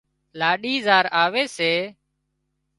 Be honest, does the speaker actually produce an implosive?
yes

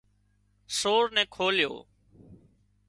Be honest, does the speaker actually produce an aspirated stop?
yes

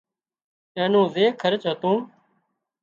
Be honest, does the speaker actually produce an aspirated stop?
yes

